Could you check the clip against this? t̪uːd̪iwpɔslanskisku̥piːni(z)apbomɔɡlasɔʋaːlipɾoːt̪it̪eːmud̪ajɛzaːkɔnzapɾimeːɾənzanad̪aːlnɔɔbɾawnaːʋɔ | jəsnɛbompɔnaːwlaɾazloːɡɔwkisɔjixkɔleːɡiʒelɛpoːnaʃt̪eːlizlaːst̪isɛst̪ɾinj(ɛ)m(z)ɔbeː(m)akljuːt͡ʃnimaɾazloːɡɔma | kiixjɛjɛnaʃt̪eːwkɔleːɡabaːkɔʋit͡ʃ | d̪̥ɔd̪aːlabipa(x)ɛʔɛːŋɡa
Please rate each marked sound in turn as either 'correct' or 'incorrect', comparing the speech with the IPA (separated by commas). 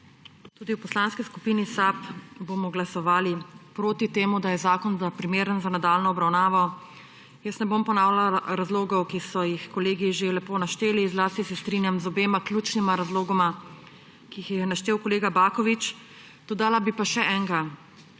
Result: incorrect, incorrect, correct, correct, incorrect